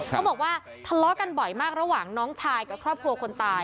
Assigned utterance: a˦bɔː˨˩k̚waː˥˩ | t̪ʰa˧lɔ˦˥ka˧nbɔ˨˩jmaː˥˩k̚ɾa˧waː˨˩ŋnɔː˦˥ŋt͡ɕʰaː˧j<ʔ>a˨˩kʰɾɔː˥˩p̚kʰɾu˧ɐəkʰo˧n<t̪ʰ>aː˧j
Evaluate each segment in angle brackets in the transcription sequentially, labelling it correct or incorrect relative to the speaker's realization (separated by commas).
incorrect, incorrect